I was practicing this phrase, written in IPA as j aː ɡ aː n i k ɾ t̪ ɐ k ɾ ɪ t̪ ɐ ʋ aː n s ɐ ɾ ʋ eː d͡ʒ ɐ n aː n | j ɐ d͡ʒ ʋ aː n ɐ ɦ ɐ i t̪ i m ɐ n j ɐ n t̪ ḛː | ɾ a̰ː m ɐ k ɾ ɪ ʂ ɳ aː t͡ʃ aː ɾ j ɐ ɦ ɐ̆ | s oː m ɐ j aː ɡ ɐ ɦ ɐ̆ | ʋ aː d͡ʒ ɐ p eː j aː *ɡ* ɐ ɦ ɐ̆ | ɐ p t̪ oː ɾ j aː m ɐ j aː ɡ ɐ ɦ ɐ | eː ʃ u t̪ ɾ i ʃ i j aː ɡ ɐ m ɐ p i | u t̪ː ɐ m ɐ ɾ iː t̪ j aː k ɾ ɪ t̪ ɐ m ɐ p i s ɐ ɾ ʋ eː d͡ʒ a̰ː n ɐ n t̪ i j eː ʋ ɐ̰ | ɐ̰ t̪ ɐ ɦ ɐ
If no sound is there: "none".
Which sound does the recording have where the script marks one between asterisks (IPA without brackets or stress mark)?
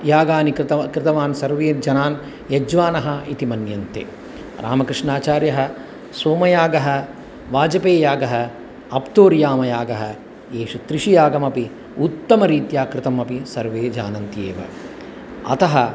ɡ